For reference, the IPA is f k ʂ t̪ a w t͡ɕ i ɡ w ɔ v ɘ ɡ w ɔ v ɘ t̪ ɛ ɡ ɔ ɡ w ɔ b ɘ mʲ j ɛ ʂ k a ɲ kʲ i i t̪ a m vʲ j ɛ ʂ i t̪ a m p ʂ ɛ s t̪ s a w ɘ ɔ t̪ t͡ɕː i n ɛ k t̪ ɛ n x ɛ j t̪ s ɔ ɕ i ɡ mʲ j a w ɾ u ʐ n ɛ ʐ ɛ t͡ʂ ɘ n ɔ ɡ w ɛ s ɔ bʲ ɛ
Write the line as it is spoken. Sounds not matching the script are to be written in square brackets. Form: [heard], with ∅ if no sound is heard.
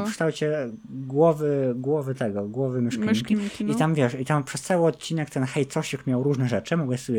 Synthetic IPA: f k ʂ t̪ a w t͡ɕ [ɛ] ɡ w ɔ v ɘ ɡ w ɔ v ɘ t̪ ɛ ɡ ɔ ɡ w ɔ [v] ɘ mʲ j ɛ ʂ k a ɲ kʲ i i t̪ a m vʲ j ɛ ʂ i t̪ a m p ʂ ɛ s t̪ s a w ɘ ɔ t̪ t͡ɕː i n ɛ k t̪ ɛ n x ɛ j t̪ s ɔ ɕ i [k] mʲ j a w ɾ u ʐ n ɛ ʐ ɛ t͡ʂ ɘ [m] ɔ ɡ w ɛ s ɔ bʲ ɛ